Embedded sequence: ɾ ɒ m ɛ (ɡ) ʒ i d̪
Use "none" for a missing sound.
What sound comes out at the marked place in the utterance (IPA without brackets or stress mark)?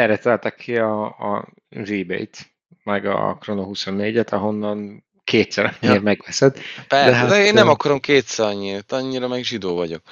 ɡ